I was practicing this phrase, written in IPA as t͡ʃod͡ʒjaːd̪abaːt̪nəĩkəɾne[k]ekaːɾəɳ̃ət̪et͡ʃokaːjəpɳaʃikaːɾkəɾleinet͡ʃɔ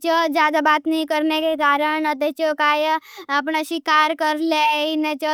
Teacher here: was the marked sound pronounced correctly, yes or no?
yes